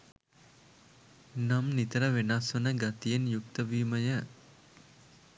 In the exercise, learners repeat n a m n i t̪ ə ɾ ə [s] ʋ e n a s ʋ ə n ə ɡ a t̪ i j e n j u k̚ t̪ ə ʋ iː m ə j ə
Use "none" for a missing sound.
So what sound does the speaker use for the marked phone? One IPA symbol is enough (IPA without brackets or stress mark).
none